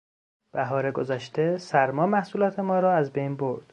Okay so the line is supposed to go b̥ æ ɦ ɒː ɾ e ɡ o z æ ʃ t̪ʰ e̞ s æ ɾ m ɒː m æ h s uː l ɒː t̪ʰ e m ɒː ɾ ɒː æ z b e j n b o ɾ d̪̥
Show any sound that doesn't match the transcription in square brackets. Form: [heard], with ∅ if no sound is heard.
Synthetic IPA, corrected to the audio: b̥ æ ɦ ɒː ɾ e ɡ o z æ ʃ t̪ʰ e̞ s æ ɾ m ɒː m æ h s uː l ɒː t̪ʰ e m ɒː ɾ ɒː æ z b e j n b o ɾ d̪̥